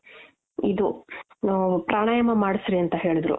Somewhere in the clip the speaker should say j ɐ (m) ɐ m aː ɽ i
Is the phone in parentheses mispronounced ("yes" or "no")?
no